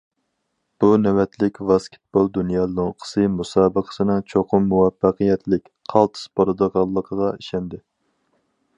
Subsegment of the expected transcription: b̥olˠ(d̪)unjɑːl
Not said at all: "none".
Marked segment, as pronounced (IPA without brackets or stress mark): d̪